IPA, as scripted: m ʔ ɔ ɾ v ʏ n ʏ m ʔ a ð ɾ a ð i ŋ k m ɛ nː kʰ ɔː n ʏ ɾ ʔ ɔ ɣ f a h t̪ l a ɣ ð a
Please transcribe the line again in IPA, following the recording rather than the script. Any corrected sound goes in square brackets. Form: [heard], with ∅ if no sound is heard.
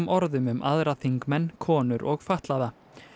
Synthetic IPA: m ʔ ɔ ɾ [ð] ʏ [m] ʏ m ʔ a ð ɾ a [θ] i ŋ k m ɛ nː kʰ ɔː n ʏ ɾ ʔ ɔ ɣ f a h t̪ l a [∅] ð a